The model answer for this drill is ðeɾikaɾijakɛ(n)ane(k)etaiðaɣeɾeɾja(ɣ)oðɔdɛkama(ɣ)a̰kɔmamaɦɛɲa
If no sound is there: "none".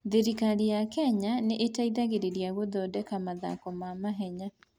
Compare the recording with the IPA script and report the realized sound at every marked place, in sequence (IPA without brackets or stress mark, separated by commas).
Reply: ɲ, ʔ, ɣ, ð